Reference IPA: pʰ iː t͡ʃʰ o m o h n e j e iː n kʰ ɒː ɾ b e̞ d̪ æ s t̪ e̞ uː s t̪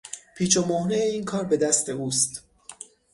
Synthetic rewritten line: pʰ iː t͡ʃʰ o m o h n e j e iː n kʰ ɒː ɾ b e̞ d̪ æ s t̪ e̞ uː s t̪